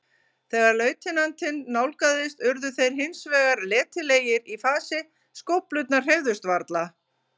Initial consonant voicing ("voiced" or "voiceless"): voiceless